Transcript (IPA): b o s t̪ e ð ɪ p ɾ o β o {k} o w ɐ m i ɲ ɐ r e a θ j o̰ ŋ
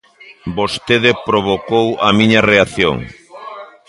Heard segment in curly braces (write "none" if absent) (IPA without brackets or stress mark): k